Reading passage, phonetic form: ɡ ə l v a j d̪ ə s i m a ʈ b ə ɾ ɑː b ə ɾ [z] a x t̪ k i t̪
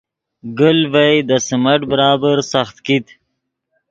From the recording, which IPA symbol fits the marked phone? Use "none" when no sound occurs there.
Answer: s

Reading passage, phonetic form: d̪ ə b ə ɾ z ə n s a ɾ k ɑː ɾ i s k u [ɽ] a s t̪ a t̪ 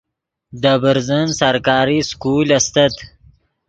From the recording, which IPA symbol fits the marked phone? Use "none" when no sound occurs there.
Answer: l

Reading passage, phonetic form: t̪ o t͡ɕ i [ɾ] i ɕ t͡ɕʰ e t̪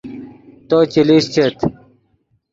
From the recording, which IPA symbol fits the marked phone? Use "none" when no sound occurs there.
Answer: l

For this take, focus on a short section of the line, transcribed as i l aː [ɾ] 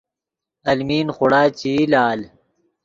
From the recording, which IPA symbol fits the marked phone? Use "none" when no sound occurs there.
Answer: l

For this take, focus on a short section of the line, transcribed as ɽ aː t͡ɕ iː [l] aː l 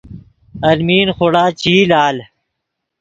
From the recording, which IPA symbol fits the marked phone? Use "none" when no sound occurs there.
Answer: l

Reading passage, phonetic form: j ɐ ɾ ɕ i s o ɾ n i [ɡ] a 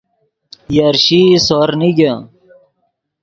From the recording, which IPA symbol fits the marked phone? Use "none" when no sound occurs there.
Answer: ɡ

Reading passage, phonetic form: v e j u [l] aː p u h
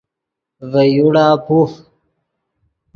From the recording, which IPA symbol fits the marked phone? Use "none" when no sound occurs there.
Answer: ɽ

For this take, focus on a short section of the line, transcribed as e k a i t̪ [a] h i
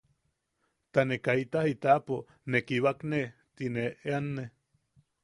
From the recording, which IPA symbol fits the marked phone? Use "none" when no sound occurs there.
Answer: a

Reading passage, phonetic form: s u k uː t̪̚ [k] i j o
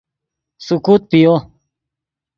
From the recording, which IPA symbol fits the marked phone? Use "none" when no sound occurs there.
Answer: p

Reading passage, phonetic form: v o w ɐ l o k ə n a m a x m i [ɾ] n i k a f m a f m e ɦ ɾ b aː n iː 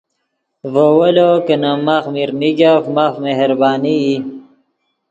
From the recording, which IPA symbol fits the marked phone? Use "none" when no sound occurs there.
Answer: ɾ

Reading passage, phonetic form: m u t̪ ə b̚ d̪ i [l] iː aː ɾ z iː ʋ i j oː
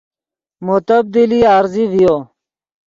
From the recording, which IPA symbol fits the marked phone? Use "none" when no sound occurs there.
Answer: l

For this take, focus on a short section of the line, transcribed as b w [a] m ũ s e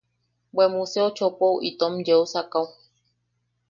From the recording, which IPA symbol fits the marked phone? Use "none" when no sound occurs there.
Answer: e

